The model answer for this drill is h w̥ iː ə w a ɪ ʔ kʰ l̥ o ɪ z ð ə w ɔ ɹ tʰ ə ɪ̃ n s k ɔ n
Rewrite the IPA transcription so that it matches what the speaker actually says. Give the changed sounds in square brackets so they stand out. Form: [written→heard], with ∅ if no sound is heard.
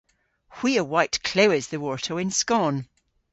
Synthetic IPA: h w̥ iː ə w a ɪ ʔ kʰ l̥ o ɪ z ð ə w ɔ ɹ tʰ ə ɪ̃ n s k ɔ n